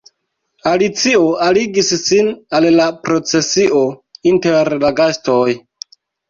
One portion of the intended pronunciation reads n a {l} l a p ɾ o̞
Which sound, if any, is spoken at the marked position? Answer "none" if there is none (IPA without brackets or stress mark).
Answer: l